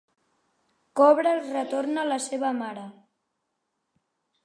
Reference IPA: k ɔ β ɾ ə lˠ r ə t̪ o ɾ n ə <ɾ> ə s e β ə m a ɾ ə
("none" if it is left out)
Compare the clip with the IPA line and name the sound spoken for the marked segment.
l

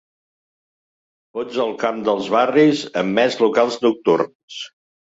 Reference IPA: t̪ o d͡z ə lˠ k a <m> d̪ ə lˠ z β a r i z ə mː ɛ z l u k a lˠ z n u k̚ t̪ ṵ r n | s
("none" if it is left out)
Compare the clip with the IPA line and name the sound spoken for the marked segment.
m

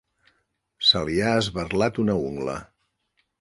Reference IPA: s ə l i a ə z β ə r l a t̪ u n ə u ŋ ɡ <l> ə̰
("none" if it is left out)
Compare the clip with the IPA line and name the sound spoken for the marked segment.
l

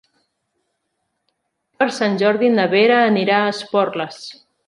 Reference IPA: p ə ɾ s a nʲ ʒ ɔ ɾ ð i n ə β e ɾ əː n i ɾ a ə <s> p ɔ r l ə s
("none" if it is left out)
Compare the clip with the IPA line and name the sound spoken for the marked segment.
s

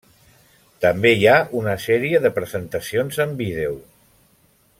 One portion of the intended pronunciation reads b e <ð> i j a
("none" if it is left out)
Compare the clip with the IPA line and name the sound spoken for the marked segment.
none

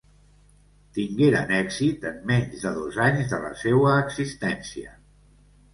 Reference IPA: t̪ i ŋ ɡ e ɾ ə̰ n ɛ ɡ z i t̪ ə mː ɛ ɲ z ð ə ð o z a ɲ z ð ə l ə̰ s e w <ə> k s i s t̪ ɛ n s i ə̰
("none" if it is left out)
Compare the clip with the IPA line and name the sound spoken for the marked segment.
əː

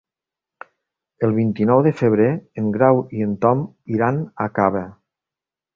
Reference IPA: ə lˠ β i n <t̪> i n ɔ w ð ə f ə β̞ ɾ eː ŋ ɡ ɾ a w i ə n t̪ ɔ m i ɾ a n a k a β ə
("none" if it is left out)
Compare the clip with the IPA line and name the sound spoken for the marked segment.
t̪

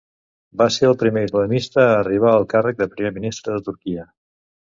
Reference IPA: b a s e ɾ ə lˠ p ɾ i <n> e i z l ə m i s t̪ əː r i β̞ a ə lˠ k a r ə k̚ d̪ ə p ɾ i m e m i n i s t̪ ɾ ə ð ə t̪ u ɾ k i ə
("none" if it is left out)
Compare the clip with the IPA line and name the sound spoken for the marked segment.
m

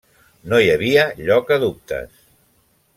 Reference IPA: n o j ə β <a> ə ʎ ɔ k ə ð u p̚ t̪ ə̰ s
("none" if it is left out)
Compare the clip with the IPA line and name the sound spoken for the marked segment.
i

